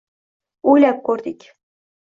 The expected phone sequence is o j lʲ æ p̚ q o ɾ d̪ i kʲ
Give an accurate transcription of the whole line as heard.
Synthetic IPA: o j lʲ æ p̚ k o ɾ d̪ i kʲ